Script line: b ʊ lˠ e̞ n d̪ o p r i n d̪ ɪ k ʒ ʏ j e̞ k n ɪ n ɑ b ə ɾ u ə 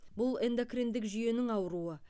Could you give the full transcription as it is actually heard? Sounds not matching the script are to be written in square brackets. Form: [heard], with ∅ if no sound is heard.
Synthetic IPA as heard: b ʊ lˠ e̞ n d̪ o [k] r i n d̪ ɪ k ʒ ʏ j e̞ [∅] n ɪ [ŋ] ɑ [w] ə ɾ u ə